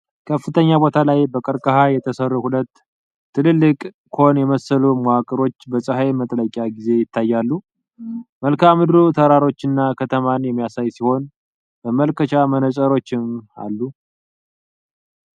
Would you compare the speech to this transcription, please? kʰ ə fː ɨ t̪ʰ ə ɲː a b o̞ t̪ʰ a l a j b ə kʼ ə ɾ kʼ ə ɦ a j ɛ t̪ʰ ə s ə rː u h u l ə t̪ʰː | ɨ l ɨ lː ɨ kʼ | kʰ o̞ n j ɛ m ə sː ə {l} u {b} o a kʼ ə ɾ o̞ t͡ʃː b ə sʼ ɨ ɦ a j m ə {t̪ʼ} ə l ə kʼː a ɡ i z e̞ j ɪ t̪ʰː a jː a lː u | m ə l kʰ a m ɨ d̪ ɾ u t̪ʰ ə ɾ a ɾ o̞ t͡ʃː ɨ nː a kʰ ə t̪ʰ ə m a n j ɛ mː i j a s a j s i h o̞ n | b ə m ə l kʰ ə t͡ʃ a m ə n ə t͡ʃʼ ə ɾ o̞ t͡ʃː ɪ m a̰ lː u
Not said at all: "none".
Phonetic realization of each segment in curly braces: l, m, t̪ʼ

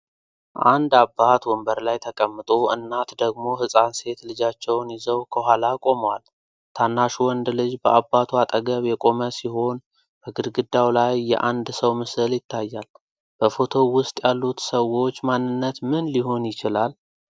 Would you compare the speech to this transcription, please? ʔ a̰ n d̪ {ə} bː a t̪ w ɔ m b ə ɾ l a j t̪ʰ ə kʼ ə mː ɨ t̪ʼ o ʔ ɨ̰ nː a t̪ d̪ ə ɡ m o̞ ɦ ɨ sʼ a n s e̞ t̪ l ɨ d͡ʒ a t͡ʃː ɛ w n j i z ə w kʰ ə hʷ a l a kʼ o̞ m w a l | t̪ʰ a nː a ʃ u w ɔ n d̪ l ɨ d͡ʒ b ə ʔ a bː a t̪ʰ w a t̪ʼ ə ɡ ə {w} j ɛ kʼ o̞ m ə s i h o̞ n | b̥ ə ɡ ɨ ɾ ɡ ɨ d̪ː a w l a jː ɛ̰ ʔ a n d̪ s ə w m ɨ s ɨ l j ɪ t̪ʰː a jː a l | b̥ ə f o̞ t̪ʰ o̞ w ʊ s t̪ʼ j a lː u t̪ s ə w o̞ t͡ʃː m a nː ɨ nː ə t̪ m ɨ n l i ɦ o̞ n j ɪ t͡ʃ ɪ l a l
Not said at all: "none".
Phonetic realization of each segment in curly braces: a, β

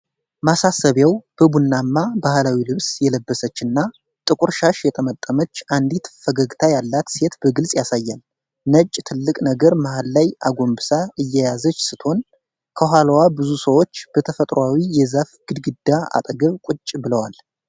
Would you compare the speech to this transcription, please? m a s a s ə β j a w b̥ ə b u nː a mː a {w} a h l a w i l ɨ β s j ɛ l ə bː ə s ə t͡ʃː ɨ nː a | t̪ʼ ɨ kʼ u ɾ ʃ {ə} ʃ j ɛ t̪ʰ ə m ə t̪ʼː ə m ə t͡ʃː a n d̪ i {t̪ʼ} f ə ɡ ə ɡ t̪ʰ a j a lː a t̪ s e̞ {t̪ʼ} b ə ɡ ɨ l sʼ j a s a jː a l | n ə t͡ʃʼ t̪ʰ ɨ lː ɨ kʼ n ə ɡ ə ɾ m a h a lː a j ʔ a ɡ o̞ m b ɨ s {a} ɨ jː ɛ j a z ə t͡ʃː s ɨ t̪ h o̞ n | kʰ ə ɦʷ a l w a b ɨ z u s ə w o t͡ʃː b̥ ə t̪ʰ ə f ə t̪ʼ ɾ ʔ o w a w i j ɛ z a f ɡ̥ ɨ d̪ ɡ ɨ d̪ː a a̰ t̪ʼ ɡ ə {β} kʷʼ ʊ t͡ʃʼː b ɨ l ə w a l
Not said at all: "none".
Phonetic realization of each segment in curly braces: b, a, t̪, t̪, a, β

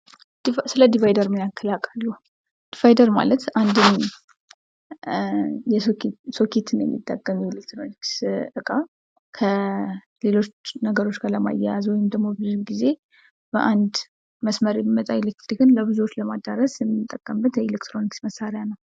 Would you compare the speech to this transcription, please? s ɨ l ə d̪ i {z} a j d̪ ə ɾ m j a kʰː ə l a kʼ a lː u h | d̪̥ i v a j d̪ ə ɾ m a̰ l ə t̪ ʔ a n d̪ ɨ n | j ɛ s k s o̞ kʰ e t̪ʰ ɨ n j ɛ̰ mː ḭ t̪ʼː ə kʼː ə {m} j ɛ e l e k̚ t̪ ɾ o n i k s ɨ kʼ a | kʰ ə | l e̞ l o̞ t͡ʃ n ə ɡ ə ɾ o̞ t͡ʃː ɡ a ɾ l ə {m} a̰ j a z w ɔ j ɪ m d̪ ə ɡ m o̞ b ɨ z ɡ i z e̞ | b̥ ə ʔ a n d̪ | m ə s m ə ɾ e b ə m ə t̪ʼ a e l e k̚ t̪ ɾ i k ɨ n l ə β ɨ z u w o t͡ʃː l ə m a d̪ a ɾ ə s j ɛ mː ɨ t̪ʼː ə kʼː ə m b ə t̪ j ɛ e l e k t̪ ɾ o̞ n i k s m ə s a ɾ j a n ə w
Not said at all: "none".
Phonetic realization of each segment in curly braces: v, m, m

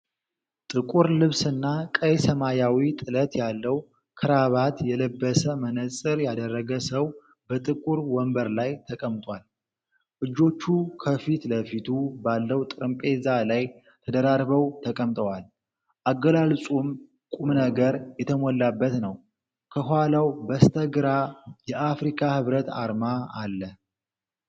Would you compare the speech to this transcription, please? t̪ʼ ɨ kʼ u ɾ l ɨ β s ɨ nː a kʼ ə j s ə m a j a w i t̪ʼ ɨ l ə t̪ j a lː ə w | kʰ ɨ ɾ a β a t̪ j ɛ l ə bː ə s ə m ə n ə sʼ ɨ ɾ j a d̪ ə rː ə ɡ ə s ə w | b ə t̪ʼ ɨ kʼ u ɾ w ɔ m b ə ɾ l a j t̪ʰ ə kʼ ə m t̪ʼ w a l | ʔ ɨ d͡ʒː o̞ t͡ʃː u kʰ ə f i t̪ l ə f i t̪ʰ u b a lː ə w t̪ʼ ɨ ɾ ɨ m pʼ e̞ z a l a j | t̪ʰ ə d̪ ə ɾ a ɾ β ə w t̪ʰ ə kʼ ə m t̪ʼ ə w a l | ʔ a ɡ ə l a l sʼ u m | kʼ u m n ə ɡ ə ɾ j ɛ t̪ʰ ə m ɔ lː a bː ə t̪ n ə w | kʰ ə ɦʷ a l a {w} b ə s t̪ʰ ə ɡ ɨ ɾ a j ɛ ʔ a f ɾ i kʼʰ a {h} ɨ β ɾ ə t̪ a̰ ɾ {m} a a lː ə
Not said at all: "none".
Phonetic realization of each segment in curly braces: w, h, m

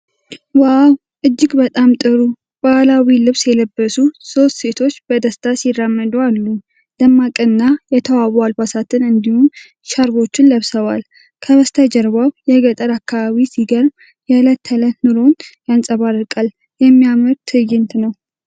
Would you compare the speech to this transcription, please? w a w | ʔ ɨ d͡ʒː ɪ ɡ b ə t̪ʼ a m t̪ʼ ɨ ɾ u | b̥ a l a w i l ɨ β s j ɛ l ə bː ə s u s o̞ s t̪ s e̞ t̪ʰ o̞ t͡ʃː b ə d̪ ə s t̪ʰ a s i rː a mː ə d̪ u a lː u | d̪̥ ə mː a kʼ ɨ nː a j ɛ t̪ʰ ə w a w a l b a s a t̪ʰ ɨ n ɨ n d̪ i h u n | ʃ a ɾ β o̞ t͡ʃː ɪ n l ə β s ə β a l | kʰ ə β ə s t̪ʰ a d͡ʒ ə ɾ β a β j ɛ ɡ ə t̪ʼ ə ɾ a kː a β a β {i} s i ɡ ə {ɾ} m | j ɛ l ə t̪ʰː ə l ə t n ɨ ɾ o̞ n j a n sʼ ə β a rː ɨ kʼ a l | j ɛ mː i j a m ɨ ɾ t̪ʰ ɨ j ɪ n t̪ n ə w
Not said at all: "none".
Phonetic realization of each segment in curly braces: i, ɾ

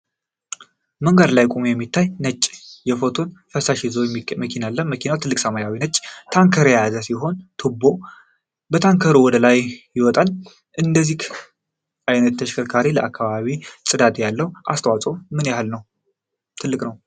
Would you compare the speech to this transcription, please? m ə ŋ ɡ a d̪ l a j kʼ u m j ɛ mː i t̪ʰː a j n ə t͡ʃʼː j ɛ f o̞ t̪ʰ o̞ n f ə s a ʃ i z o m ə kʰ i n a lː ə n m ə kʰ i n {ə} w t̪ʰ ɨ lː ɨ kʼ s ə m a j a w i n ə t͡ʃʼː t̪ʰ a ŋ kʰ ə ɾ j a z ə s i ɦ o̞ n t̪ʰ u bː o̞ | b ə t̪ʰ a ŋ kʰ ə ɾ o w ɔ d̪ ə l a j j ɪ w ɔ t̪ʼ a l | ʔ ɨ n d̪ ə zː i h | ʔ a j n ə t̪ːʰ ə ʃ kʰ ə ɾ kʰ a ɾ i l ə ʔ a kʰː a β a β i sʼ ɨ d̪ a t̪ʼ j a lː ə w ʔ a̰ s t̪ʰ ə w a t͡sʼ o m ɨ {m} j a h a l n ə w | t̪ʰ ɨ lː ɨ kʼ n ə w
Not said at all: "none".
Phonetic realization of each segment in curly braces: a, n

